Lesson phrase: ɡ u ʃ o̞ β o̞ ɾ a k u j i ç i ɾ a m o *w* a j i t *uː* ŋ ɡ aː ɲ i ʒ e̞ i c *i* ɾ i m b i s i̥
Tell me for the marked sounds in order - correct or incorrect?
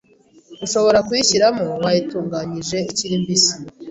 correct, correct, correct

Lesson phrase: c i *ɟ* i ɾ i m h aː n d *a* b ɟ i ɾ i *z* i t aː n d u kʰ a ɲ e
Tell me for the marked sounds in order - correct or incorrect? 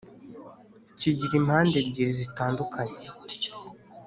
correct, incorrect: e, correct

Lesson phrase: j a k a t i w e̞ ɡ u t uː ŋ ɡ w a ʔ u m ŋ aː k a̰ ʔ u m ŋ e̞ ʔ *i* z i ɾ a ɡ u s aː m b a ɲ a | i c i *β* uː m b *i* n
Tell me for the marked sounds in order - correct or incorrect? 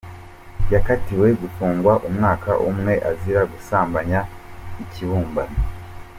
incorrect: a, correct, incorrect: a

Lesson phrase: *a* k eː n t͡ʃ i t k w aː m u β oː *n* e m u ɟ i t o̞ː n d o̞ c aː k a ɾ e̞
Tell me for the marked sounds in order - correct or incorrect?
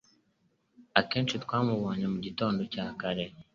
correct, incorrect: ɲ

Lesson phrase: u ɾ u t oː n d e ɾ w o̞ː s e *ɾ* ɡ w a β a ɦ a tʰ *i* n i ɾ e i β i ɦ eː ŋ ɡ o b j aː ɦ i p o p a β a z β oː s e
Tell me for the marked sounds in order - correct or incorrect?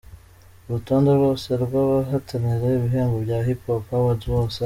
correct, incorrect: a

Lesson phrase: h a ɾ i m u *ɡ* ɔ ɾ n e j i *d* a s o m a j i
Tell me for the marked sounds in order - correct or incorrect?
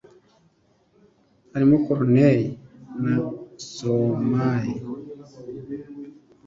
incorrect: k, incorrect: n

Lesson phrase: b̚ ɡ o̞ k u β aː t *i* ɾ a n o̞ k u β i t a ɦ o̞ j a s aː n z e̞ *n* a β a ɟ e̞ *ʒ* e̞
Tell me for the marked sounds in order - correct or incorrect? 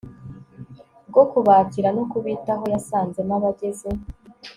correct, correct, incorrect: z

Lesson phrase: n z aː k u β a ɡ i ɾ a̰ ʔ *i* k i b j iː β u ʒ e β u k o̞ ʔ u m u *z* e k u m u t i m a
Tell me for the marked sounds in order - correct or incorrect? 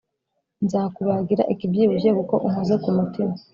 correct, correct

